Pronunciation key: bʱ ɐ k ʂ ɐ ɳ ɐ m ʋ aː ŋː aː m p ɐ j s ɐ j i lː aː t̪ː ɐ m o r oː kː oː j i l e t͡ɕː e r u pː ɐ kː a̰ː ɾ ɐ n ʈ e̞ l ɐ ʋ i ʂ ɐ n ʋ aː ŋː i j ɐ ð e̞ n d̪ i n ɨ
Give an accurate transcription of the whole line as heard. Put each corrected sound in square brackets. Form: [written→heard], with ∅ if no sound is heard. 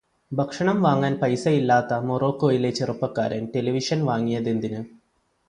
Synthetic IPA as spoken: bʱ ɐ k ʂ ɐ ɳ ɐ m ʋ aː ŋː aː [m→n] p ɐ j s ɐ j i lː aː t̪ː ɐ m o r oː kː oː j i l e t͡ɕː e r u pː ɐ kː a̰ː ɾ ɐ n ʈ e̞ l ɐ ʋ i ʂ ɐ n ʋ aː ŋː i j ɐ ð e̞ n d̪ i n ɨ